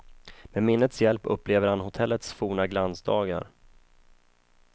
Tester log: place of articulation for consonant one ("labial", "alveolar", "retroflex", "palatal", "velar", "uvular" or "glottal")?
labial